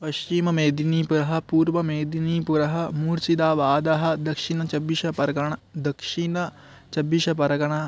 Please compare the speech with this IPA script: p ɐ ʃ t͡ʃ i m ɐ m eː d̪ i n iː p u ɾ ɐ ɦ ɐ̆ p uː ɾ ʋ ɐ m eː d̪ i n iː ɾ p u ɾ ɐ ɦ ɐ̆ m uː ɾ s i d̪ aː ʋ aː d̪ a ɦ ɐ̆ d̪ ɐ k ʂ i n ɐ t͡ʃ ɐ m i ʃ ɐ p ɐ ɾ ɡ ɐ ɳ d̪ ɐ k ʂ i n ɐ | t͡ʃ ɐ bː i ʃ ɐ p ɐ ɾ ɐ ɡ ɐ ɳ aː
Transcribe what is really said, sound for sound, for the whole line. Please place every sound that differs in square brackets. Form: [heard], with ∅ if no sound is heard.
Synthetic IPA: p ɐ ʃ t͡ʃ i m ɐ m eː d̪ i n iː p u ɾ ɐ ɦ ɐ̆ p uː ɾ ʋ ɐ m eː d̪ i n iː [∅] p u ɾ ɐ ɦ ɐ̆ m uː ɾ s i d̪ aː ʋ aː d̪ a ɦ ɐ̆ d̪ ɐ k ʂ i n ɐ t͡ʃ ɐ [b] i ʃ ɐ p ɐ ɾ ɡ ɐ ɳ d̪ ɐ k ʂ i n ɐ | t͡ʃ ɐ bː i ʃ ɐ p ɐ ɾ ɐ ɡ ɐ ɳ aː